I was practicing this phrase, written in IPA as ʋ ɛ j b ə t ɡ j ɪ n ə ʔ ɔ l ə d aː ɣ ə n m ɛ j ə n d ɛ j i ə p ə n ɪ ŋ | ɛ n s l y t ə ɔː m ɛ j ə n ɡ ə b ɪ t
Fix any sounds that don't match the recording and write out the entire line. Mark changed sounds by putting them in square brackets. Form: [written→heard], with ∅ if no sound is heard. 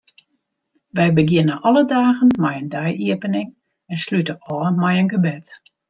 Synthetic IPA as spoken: ʋ ɛ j b ə [t→∅] ɡ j ɪ n ə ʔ ɔ l ə d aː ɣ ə n m ɛ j ə n d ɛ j i ə p ə n ɪ ŋ | ɛ n s l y t ə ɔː m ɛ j ə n ɡ ə b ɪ t